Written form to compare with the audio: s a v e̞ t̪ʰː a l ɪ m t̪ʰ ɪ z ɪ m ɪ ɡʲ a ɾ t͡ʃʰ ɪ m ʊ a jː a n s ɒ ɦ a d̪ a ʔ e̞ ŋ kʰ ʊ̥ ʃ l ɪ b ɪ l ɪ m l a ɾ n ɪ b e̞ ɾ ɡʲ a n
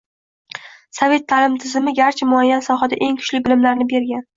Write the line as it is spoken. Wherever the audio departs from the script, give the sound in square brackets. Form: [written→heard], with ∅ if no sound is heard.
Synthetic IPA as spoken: s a v e̞ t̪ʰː a l ɪ m t̪ʰ ɪ z ɪ m ɪ ɡʲ a ɾ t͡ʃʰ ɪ m ʊ a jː a n s ɒ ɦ a d̪ a ʔ e̞ ŋ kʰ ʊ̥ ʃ l ɪ b ɪ l ɪ m l a ɾ n ɪ b e̞ ɾ ɡʲ a n